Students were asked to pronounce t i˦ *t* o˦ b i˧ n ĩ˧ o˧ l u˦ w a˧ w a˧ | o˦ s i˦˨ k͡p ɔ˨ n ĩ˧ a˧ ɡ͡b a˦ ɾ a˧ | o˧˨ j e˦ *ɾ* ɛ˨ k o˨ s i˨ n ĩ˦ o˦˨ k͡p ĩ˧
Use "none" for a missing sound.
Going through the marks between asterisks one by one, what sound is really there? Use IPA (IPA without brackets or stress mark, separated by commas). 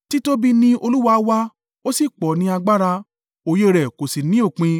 t, ɾ